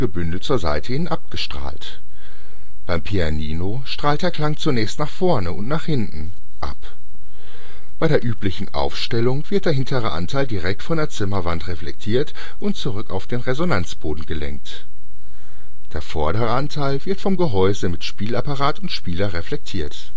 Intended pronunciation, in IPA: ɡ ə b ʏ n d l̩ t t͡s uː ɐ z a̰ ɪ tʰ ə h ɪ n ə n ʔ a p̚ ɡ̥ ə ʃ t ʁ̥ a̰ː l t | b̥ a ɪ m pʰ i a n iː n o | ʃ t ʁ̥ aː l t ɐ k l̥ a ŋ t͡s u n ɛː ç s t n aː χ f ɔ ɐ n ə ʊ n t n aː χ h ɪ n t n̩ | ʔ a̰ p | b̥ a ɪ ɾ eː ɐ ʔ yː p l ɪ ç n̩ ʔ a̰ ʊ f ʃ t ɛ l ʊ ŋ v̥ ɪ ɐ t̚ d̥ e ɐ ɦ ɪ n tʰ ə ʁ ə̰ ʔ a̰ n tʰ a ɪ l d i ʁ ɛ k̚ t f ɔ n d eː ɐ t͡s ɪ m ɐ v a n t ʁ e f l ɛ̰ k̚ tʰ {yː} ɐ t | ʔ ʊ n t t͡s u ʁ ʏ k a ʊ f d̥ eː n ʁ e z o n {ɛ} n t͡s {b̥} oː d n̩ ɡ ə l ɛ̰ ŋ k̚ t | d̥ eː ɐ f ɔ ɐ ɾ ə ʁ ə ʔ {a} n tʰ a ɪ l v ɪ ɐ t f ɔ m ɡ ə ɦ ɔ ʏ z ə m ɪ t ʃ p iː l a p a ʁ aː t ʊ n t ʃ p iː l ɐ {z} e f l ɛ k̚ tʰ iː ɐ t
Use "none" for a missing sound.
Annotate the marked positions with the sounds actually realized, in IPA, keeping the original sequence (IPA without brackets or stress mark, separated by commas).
iː, a, b̥, a, ʁ